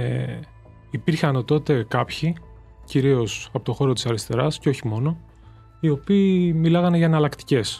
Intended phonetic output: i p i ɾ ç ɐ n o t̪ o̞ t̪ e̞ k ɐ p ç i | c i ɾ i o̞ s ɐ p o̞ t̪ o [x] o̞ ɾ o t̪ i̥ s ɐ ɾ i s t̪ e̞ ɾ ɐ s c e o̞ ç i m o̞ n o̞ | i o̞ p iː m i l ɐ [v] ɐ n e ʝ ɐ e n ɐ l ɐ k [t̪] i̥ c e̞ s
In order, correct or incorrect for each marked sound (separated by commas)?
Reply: correct, incorrect, correct